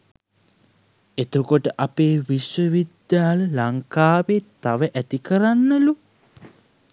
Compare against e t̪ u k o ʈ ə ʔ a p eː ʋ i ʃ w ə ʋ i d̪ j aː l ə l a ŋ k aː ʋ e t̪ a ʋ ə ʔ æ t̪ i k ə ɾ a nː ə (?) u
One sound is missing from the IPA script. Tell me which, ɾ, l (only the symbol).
l